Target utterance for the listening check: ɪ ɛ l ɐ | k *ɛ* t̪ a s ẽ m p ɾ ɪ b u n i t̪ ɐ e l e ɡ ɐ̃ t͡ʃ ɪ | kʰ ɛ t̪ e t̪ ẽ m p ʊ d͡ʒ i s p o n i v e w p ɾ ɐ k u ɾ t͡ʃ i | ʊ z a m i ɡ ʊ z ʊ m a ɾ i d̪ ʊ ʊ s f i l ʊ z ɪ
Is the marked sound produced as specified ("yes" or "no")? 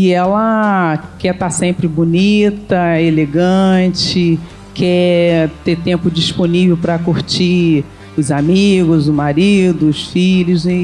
yes